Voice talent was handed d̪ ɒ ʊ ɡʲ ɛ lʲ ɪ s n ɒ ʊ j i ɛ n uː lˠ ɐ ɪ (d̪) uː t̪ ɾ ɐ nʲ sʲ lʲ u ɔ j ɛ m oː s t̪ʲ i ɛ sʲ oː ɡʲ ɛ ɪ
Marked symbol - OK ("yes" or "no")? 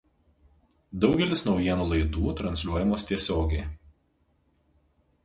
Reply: yes